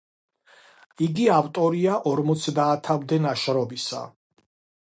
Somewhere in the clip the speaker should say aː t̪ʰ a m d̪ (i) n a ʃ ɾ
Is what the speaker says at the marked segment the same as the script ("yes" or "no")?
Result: no